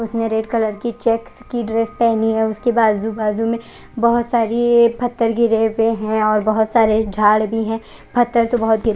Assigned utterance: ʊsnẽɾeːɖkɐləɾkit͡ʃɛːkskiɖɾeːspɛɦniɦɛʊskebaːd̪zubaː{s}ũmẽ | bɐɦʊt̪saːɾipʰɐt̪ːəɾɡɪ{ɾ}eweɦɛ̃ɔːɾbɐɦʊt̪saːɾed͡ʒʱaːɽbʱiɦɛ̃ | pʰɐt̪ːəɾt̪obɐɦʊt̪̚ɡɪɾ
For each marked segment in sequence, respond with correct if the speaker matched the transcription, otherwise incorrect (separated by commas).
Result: incorrect, correct